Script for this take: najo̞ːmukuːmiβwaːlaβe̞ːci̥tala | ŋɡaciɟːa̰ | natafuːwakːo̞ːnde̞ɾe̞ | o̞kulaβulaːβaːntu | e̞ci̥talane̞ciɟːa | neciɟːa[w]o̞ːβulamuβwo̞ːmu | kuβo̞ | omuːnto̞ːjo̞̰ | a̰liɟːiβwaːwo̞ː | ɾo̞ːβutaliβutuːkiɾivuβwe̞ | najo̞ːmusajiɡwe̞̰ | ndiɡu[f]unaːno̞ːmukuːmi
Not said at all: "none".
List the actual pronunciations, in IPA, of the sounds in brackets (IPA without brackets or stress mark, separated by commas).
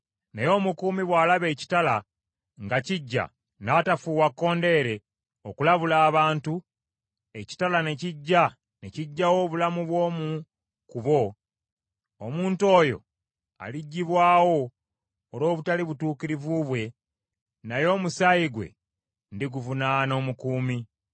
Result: w, v